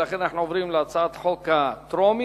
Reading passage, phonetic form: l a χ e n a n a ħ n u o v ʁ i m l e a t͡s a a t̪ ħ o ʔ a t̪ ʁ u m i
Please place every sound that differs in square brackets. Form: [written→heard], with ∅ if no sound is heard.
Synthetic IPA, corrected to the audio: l a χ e n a n a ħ n u o v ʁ i m l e a t͡s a a t̪ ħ o [ʔ→k] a t̪ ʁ [u→o] m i